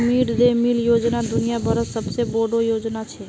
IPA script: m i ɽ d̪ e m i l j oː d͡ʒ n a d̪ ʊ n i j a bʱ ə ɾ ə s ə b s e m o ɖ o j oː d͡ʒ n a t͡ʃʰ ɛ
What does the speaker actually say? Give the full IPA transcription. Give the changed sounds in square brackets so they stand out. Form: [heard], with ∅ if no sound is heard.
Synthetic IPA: m i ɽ d̪ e m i l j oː d͡ʒ n a d̪ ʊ n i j a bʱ ə ɾ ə s ə b s e [b] o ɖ o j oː d͡ʒ n a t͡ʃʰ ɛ